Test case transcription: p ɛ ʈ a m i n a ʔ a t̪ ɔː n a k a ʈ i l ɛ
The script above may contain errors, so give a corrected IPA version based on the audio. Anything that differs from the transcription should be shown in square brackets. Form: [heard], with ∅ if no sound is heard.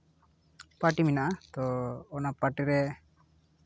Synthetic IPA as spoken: p [a] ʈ [i] m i n a ʔ a t̪ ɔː n a [p] a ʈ i [ɾ] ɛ

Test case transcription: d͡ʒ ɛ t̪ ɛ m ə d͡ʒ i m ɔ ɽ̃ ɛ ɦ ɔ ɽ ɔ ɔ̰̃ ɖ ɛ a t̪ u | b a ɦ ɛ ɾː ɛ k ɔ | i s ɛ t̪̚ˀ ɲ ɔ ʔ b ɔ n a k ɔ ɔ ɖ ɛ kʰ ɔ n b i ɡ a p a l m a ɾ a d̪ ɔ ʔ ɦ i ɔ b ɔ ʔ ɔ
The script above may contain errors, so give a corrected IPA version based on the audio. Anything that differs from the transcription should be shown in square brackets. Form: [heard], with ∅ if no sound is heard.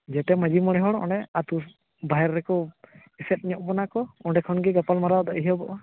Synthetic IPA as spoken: d͡ʒ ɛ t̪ ɛ m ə d͡ʒ i m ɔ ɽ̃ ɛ ɦ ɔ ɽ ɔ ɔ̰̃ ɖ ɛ a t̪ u | b a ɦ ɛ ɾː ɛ k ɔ | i s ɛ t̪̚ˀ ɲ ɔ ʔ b ɔ n a k ɔ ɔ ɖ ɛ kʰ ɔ n [ɡ] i ɡ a p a l m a ɾ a d̪ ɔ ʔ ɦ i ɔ b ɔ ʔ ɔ

